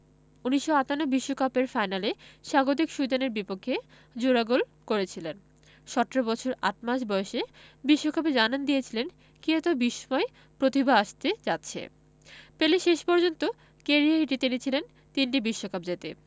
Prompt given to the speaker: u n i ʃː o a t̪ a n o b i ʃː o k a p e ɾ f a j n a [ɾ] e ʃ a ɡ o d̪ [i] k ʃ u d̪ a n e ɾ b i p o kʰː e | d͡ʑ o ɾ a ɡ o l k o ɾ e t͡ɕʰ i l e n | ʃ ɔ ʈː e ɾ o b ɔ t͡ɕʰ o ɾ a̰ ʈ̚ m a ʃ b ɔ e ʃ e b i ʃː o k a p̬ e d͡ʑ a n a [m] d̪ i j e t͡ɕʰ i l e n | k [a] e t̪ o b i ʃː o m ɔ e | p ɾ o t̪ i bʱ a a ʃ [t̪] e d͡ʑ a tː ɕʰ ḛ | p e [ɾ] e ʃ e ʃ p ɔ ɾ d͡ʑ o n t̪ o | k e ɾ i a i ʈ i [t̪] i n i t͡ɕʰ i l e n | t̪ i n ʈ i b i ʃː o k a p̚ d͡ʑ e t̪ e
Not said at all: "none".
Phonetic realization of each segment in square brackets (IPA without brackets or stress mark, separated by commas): l, i, n, i, t̪, l, t̪